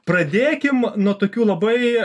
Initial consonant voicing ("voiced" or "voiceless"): voiceless